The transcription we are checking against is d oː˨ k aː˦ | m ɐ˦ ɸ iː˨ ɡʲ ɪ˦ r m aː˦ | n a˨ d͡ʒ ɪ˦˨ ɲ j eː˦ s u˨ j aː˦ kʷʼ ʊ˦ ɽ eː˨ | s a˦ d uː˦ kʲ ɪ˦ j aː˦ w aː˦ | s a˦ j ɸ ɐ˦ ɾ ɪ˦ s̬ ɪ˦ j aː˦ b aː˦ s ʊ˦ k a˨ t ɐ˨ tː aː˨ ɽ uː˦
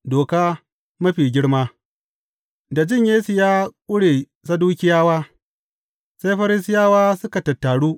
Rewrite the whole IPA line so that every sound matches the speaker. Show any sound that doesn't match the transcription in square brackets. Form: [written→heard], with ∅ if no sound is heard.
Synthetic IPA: d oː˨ k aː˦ | m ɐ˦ ɸ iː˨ ɡʲ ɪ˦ [r→ɽ] m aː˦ | [n→d] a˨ d͡ʒ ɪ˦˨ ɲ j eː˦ s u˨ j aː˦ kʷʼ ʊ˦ ɽ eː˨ | s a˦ d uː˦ kʲ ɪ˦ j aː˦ w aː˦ | s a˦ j ɸ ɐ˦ ɾ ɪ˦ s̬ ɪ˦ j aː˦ [b→w] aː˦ s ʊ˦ k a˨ t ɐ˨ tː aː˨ ɽ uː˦